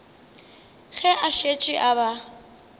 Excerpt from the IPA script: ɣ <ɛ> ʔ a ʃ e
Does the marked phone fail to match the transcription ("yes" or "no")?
no